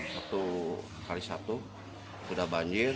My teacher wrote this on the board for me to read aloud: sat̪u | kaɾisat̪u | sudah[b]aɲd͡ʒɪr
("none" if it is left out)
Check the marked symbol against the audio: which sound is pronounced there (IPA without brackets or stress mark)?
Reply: b